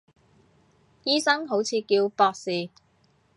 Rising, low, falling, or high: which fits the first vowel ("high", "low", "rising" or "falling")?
high